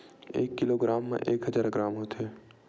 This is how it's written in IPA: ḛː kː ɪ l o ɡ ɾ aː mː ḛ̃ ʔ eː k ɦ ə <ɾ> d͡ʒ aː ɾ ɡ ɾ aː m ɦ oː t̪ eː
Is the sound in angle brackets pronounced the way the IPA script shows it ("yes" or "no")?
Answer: no